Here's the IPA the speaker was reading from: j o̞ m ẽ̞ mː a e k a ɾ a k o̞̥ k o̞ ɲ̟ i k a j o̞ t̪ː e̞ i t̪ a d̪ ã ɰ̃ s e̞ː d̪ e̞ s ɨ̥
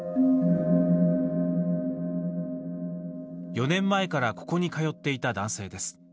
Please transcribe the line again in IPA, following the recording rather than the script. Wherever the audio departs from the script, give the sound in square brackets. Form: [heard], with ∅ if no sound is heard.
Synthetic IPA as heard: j o̞ [n] ẽ̞ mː a e k a ɾ a k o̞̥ k o̞ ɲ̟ i k a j o̞ t̪ː e̞ i t̪ a d̪ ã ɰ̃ s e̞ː d̪ e̞ s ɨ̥

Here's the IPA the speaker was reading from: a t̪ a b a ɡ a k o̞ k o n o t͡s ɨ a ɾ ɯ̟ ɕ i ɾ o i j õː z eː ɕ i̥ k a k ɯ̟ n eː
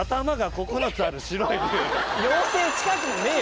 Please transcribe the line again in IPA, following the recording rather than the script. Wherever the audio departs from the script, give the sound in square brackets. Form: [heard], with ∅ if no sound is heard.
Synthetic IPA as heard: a t̪ a [m] a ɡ a k o̞ k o n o t͡s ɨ a ɾ ɯ̟ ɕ i ɾ o i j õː [s] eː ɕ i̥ k a k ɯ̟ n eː

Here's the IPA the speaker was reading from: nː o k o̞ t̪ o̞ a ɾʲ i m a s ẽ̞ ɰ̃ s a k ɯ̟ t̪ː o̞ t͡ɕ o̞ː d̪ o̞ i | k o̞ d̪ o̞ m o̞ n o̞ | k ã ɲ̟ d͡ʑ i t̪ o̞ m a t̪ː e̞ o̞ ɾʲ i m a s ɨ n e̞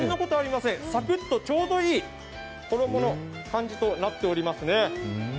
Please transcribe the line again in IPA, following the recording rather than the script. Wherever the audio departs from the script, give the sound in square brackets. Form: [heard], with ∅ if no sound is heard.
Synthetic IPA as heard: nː o k o̞ t̪ o̞ a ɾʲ i m a s ẽ̞ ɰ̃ s a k ɯ̟ t̪ː o̞ t͡ɕ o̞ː d̪ o̞ [iː] | k o̞ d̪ o̞ m o̞ n o̞ | k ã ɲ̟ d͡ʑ i t̪ o̞ [n] a t̪ː e̞ o̞ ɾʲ i m a s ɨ n e̞

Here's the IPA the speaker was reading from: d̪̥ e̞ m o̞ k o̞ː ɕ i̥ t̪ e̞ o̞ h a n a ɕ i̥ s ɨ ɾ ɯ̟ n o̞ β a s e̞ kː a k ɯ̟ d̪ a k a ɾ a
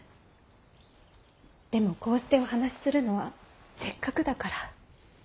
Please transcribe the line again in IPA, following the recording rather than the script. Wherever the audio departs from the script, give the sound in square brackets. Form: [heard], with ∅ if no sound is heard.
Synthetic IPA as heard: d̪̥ e̞ m o̞ k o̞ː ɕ i̥ t̪ e̞ o̞ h a n a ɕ i̥ s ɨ ɾ ɯ̟ n o̞ β a s e̞ kː a k ɯ̟ d̪ a k a ɾ a

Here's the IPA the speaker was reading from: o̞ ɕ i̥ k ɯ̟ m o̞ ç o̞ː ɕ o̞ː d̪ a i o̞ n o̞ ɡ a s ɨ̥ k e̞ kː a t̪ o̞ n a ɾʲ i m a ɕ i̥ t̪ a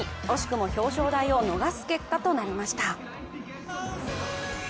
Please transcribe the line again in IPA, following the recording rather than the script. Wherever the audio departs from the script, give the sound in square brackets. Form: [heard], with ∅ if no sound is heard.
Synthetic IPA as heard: o̞ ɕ i̥ k ɯ̟ m o̞ ç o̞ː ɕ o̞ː d̪ a i o̞ n o̞ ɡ a s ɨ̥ k e̞ kː a t̪ o̞ n a ɾʲ i m a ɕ i̥ t̪ a

